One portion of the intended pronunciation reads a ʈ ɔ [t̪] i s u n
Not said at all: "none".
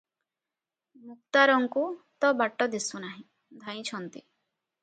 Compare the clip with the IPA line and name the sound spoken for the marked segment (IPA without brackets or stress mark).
d̪